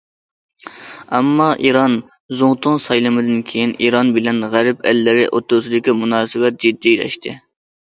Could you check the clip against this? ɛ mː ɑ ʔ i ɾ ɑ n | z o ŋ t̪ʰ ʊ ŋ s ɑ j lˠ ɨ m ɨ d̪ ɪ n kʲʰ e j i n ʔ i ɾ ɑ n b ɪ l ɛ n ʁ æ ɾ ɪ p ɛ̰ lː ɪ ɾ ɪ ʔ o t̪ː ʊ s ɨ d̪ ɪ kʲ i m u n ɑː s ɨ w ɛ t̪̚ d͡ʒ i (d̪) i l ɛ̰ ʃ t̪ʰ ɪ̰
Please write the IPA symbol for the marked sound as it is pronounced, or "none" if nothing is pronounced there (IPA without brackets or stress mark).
d̪ː